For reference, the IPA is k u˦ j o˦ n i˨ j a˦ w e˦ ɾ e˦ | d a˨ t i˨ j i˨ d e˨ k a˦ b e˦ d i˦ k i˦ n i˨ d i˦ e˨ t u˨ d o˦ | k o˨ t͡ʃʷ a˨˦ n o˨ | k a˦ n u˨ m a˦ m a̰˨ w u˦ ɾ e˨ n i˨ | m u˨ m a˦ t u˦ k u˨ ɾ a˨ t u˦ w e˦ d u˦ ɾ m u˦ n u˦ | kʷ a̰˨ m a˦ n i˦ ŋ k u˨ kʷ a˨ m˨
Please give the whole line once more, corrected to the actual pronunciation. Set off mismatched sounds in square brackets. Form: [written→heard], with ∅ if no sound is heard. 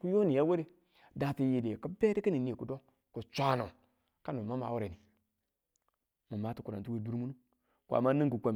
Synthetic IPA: k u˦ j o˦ n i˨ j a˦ w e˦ ɾ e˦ | d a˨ t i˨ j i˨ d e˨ k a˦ b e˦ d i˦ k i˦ n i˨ [d→n] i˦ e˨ [t→k] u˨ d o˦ | k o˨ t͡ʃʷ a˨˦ n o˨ | k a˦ n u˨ m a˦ m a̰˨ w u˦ ɾ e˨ n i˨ | m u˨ m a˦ t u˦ k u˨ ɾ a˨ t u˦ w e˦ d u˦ ɾ m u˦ n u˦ | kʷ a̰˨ m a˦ n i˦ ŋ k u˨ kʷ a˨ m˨

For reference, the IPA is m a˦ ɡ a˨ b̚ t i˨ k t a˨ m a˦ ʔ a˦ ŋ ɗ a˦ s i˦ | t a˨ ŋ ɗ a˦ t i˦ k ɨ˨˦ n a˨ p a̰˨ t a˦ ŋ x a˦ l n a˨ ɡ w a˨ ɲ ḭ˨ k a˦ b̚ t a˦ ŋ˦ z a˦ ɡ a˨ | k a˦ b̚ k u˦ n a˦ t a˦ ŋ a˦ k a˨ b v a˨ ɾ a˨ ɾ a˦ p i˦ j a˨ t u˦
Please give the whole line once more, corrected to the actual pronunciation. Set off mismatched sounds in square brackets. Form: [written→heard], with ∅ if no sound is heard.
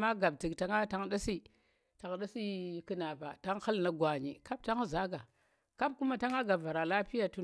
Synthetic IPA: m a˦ ɡ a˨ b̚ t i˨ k t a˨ [m→ŋ] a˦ [ʔ→t] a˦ ŋ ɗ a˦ s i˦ | t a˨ ŋ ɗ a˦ [t→s] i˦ k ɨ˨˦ n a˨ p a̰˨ t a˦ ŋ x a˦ l n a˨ ɡ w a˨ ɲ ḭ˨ k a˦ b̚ t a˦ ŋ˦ z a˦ ɡ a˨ | k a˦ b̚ k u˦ [n→m] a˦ t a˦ ŋ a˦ [k→ɡ] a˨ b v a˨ ɾ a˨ [ɾ→l] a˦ p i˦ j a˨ t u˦

